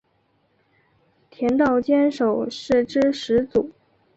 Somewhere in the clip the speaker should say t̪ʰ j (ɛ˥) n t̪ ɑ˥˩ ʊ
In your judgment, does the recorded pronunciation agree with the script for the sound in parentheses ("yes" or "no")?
no